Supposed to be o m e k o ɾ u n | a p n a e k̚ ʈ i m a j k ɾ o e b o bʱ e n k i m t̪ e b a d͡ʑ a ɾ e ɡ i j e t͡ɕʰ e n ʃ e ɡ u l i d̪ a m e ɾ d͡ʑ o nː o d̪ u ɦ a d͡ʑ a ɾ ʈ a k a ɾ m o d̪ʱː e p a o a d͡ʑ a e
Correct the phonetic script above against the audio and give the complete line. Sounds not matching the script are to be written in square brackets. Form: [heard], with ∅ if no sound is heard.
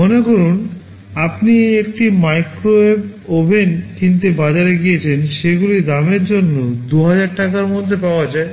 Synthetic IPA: o [n] e k o ɾ u n | a p n [i] e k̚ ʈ i m a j k ɾ o e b o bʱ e n k i [n] t̪ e b a d͡ʑ a ɾ e ɡ i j e t͡ɕʰ e n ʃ e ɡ u l i d̪ a m e ɾ d͡ʑ o nː o d̪ u ɦ a d͡ʑ a ɾ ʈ a k a ɾ m o d̪ʱː e p a o a d͡ʑ a e